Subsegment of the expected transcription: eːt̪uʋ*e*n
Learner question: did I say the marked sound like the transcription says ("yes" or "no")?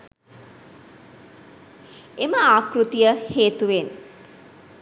yes